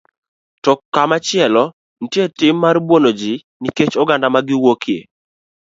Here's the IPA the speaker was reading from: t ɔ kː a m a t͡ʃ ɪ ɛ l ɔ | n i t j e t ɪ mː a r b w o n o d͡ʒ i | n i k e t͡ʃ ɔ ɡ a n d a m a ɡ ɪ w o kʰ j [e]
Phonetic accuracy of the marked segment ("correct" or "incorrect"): correct